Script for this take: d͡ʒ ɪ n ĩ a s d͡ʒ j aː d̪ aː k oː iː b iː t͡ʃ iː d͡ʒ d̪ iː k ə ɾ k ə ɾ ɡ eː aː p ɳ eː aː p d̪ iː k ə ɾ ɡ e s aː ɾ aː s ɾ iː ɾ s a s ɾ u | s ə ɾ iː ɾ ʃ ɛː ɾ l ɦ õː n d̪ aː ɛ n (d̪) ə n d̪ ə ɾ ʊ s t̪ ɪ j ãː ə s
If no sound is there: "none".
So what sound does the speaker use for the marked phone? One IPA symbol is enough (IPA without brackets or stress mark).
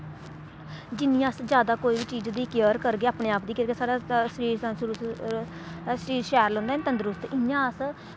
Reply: t̪